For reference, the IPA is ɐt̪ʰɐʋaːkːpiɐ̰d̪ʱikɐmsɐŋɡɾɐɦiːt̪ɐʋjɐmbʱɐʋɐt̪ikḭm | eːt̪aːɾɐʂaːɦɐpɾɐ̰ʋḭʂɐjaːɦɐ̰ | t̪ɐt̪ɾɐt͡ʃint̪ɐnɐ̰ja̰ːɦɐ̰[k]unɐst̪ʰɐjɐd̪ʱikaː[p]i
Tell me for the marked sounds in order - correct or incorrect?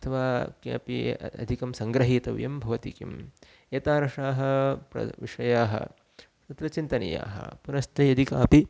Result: incorrect: p, correct

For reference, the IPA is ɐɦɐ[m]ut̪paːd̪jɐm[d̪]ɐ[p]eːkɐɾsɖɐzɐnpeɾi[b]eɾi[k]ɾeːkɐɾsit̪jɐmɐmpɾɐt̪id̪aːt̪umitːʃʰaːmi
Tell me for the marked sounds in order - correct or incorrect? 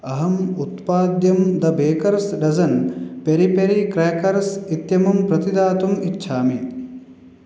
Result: correct, correct, incorrect: b, incorrect: p, correct

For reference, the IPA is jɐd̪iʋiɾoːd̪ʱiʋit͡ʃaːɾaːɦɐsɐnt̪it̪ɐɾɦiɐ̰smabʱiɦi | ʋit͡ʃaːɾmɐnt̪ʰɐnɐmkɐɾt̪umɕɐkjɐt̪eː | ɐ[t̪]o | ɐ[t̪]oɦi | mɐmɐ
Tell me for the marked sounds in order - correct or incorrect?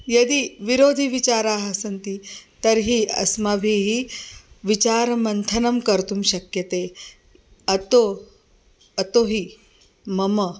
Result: correct, correct

